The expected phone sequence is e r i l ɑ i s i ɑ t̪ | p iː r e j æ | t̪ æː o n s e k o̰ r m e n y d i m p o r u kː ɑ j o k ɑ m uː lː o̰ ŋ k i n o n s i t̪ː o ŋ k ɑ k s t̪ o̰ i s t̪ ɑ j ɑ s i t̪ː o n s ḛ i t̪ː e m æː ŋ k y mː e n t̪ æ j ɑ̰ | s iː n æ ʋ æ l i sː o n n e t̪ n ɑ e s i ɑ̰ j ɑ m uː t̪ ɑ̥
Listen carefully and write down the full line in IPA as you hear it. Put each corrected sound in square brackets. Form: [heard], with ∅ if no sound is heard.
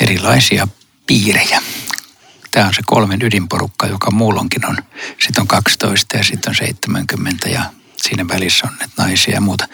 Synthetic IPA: e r i l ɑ i s i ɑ [∅] | p iː r e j æ | t̪ æː o n s e k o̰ [l] m e n y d i m p o r u kː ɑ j o k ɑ m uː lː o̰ ŋ k i n o n s i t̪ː o ŋ k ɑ k s t̪ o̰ i s t̪ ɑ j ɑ s i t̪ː o n s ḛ i t̪ː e m [æ] ŋ k y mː e n t̪ æ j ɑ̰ | s iː n æ ʋ æ l i sː o n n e t̪ n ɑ [i] s i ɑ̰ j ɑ m uː t̪ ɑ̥